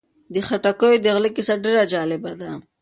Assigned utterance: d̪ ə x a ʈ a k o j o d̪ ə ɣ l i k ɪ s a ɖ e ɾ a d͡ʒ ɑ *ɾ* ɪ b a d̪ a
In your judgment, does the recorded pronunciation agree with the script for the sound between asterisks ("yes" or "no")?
no